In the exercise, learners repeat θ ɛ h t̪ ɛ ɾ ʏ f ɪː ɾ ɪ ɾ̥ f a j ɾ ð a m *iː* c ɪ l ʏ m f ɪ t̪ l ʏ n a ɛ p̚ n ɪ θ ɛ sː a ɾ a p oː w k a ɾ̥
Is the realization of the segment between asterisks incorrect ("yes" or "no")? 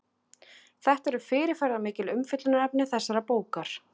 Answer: yes